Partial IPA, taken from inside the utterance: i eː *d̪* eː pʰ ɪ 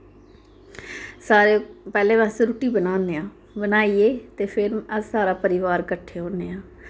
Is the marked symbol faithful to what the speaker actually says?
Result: no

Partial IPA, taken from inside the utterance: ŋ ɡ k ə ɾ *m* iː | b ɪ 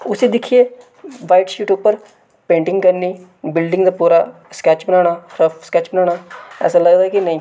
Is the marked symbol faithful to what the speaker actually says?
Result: no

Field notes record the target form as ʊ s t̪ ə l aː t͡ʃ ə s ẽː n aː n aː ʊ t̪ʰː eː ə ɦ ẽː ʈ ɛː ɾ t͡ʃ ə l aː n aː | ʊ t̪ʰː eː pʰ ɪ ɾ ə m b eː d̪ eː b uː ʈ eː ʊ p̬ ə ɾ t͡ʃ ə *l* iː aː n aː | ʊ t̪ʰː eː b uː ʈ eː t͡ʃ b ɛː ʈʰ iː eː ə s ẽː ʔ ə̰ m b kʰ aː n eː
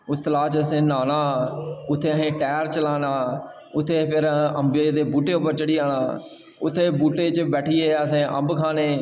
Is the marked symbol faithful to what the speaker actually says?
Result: no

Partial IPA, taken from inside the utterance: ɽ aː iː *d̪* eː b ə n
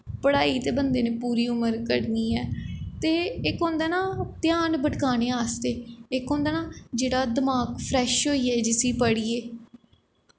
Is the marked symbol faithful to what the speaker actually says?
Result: no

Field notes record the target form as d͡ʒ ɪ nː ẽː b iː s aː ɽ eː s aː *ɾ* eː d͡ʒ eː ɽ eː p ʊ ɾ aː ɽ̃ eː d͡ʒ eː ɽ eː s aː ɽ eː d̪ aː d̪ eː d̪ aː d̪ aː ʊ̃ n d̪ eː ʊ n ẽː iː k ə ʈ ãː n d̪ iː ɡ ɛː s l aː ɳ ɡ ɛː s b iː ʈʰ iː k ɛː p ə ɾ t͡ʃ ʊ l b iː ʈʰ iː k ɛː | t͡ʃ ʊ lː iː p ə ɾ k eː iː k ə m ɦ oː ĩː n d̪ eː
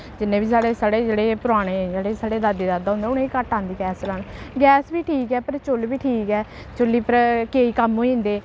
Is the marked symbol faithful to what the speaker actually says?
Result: no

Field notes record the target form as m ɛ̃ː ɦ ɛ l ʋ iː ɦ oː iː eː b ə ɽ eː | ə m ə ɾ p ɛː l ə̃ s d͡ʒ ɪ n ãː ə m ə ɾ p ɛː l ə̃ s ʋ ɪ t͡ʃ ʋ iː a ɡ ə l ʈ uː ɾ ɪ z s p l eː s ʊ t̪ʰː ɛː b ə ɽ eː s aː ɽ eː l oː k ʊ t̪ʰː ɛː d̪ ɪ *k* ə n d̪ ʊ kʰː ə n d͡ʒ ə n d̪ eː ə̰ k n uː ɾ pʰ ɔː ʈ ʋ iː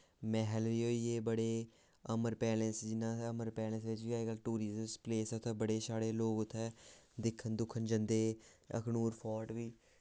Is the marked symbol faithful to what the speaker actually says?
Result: no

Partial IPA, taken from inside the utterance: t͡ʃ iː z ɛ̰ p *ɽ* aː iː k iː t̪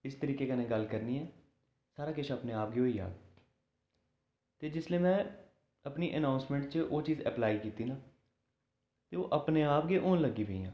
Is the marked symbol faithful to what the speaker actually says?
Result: no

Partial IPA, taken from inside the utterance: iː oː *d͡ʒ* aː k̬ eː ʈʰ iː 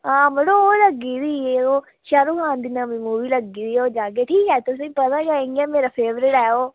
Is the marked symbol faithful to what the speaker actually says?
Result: yes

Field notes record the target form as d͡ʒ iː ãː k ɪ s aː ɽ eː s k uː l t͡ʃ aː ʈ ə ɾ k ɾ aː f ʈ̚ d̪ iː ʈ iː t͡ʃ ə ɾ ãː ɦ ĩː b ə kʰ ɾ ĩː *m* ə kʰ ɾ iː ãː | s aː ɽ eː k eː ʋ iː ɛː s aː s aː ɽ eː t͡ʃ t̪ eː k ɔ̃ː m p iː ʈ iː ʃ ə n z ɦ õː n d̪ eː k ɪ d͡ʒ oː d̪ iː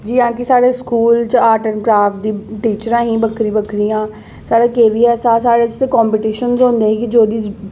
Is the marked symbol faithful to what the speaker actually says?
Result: no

